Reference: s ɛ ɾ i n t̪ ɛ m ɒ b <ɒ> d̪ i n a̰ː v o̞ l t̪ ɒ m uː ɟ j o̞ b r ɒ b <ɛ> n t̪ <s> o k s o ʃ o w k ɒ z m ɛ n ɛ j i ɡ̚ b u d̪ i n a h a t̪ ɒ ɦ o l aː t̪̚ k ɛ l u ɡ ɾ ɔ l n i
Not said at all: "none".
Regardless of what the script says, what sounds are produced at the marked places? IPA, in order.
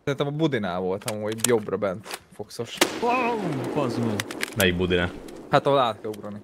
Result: u, ɛ, f

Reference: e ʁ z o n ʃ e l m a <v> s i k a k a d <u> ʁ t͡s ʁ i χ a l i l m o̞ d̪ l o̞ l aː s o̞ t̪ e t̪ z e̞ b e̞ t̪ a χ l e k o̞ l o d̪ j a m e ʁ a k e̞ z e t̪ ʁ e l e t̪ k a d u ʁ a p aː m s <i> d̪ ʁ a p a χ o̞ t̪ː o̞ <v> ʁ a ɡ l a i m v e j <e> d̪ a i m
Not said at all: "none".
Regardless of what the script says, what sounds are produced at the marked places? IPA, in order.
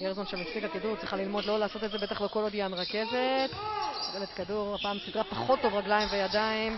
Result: f, u, i, v, a

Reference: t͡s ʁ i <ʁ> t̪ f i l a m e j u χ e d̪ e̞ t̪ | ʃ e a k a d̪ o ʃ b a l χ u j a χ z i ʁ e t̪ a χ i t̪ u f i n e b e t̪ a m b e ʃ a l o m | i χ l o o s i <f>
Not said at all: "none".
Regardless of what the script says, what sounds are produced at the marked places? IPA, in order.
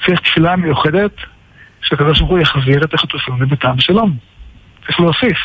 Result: χ, f

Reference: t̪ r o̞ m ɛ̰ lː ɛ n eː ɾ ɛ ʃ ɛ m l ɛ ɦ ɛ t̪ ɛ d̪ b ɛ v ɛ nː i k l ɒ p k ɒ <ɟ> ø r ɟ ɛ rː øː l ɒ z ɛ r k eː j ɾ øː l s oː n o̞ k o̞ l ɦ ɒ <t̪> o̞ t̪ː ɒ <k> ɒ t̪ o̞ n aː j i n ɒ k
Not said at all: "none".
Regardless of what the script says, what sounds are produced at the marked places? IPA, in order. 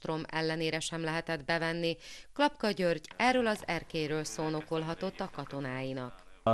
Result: ɟ, t̪, k

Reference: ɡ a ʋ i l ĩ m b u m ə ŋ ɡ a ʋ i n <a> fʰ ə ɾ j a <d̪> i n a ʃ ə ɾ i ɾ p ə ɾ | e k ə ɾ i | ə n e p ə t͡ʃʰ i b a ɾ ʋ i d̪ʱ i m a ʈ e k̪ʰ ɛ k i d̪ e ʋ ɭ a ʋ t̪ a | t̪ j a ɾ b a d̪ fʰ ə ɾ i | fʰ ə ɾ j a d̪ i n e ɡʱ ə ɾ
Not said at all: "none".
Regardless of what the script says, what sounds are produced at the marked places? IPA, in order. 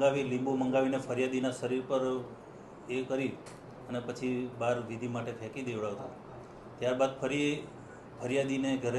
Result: e, d̪

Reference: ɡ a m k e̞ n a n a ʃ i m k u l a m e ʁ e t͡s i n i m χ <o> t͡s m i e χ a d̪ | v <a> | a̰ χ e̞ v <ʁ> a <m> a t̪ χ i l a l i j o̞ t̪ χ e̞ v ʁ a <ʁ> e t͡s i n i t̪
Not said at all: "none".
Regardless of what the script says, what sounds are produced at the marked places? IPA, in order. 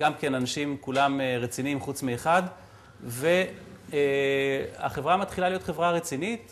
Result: u, e, ʁ, m, ʁ

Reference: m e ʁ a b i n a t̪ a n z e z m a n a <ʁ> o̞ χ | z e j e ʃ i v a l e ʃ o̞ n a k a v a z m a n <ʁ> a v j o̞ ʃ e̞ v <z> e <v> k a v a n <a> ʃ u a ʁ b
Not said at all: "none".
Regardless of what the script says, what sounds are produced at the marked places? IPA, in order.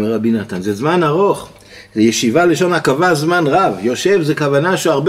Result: ʁ, ʁ, z, none, a

